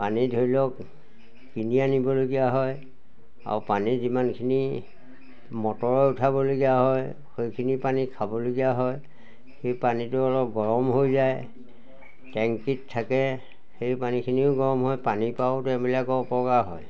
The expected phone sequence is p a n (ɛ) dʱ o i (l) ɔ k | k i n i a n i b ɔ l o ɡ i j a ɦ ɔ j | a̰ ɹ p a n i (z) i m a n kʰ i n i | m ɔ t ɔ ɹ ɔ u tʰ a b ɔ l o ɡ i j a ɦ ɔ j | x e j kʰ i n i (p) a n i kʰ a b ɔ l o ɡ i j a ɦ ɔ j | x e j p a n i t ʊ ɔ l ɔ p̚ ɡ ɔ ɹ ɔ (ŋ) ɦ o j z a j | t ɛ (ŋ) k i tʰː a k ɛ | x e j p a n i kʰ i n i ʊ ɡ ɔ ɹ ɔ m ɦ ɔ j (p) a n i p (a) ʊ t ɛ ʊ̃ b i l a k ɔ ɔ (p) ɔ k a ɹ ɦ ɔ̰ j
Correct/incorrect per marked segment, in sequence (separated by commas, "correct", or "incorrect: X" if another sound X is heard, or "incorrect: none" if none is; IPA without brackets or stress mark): incorrect: i, correct, correct, correct, incorrect: m, correct, correct, correct, correct